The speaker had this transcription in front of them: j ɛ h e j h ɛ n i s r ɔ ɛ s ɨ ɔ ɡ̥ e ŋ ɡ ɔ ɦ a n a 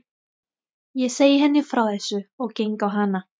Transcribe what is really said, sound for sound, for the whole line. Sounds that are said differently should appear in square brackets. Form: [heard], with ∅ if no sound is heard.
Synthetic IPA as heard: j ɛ [s] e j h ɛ n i [f] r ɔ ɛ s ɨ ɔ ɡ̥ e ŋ ɡ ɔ ɦ a n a